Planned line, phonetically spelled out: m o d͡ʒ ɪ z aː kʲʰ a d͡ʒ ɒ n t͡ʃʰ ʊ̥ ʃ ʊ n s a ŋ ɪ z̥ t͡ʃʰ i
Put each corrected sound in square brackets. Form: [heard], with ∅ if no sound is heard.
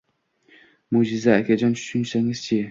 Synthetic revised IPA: m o d͡ʒ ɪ z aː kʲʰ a d͡ʒ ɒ n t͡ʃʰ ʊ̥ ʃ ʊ n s a ŋ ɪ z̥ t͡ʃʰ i